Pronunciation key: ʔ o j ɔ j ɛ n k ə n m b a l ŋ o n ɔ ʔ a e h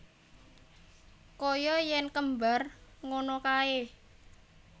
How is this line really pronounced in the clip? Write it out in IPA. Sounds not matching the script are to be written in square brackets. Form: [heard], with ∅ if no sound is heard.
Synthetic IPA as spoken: [k] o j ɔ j ɛ n k ə [∅] m b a [r] ŋ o n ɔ [k] a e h